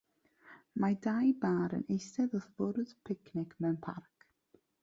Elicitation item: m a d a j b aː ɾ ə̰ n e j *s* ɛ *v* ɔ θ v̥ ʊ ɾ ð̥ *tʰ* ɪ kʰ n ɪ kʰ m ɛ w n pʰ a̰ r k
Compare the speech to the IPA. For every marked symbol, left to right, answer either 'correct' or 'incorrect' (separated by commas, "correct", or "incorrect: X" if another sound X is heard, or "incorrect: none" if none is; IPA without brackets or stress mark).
correct, incorrect: ð, incorrect: pʰ